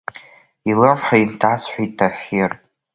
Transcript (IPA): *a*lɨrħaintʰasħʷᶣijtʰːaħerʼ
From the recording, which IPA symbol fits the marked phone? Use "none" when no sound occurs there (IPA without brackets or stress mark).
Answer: i